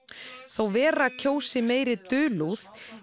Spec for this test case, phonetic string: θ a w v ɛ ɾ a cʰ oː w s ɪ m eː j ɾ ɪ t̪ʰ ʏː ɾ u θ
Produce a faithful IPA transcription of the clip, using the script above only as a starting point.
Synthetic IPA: θ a w v ɛː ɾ a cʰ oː w s ɪ m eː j ɾ ɪ t̪ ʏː l u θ